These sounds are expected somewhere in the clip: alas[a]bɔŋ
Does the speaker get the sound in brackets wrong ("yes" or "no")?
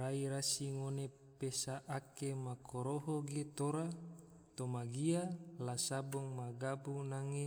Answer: no